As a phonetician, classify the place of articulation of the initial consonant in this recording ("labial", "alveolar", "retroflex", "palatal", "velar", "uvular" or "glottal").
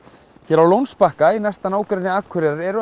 palatal